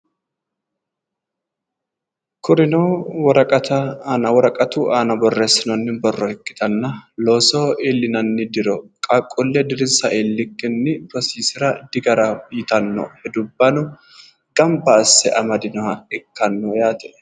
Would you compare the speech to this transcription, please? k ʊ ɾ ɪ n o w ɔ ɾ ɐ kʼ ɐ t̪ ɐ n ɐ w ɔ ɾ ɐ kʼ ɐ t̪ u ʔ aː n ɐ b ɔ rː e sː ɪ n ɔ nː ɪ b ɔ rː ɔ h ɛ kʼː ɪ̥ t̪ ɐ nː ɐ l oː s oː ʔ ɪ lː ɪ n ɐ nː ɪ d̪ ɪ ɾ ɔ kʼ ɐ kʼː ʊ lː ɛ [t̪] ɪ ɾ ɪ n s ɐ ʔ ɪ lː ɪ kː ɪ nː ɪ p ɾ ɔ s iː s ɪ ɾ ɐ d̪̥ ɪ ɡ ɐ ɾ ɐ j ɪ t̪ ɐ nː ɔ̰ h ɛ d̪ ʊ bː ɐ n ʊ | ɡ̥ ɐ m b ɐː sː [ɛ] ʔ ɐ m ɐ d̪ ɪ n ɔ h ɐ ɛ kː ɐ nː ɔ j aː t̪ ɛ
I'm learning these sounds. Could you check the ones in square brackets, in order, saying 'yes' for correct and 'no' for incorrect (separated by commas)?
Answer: no, yes